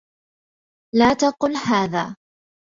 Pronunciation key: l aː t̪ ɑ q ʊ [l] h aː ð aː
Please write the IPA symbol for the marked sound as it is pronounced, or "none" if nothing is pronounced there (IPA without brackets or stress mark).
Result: l